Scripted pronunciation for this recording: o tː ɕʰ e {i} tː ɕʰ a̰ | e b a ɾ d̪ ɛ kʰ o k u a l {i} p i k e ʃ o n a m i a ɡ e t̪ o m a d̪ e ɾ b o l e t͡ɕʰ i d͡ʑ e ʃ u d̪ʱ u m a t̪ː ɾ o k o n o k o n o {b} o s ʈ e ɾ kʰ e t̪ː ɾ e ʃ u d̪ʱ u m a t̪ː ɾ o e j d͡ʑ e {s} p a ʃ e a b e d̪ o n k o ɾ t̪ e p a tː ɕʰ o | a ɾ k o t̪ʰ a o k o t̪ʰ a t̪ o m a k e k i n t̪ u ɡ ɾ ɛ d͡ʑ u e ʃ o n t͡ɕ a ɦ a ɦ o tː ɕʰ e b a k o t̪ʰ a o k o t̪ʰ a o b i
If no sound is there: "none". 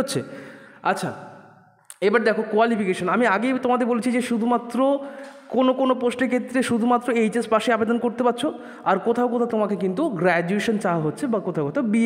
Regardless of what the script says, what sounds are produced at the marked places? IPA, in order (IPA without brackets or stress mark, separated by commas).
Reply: a, i, p, s